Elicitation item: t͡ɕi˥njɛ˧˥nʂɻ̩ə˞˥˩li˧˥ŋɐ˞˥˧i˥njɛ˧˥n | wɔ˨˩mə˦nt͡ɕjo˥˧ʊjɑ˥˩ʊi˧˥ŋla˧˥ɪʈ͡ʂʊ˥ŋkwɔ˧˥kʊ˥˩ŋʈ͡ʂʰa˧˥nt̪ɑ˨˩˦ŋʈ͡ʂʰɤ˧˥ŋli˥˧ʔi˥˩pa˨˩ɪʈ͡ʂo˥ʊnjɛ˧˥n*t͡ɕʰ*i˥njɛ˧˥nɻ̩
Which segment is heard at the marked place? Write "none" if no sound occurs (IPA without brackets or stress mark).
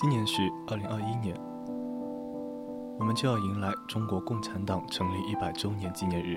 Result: t͡ɕ